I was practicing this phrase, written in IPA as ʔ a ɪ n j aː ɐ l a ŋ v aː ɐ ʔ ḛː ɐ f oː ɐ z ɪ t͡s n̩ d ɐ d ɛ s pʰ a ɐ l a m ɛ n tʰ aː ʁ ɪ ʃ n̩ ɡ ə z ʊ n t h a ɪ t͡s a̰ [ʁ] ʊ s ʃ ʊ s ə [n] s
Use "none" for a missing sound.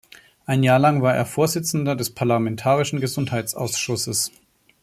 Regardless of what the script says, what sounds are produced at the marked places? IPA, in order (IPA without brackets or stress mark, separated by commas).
none, none